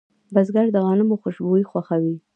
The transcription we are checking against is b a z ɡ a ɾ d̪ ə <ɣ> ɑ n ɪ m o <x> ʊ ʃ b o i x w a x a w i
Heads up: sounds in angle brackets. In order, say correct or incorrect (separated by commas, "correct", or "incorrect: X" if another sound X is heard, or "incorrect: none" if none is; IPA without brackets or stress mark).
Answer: correct, correct